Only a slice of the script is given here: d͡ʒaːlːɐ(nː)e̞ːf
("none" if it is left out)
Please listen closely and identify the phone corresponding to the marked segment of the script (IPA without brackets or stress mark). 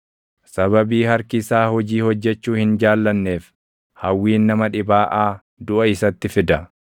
nː